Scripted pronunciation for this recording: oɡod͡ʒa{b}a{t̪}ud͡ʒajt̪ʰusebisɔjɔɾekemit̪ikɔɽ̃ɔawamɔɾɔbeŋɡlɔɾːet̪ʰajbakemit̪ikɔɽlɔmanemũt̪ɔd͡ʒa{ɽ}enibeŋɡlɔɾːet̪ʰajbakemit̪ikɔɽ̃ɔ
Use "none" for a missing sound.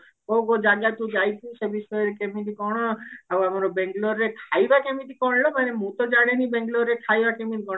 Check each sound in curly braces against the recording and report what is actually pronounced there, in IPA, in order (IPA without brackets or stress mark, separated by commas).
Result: ɡ, t̪, ɽ